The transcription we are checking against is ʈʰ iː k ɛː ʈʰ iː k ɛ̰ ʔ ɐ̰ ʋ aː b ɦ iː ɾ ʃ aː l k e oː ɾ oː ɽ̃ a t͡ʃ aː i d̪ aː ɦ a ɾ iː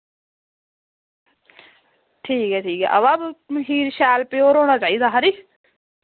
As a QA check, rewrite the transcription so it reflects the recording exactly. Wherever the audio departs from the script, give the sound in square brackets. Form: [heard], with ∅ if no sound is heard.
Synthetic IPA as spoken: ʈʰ iː k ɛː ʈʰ iː k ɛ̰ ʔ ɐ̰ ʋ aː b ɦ iː ɾ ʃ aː l [p] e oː ɾ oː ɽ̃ a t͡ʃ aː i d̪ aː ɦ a ɾ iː